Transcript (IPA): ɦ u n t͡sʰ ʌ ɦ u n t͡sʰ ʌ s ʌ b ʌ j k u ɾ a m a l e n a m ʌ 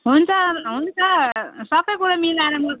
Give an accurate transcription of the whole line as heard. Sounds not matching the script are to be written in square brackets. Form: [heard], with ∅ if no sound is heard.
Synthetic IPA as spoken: ɦ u n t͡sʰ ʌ ɦ u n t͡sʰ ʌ s ʌ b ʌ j k u ɾ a m [i] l [a] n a m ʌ